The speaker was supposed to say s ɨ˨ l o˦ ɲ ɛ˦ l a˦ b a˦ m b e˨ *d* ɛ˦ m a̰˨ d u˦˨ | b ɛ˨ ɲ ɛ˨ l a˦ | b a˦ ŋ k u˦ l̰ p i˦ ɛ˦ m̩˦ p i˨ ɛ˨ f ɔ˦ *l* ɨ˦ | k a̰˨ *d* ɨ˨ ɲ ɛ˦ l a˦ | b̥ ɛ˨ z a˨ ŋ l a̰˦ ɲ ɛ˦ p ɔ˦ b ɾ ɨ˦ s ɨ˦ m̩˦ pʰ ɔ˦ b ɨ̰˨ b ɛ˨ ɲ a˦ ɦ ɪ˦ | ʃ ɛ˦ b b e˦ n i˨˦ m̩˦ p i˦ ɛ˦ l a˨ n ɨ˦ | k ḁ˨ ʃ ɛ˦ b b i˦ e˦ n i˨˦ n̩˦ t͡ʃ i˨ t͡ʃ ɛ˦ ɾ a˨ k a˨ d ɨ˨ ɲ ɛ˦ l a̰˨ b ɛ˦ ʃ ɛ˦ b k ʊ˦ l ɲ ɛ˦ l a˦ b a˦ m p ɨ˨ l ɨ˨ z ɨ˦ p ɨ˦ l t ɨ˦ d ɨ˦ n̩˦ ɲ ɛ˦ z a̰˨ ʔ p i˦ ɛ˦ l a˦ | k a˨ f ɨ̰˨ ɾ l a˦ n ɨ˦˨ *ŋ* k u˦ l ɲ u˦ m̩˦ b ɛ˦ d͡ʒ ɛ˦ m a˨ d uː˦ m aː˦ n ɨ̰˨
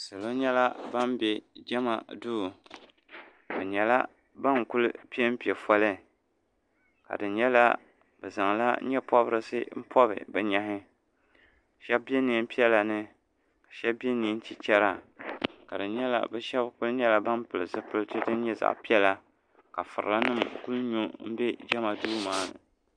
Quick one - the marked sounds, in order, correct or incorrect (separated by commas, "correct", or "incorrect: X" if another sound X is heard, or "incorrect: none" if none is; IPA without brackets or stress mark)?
incorrect: d͡ʒ, correct, correct, incorrect: m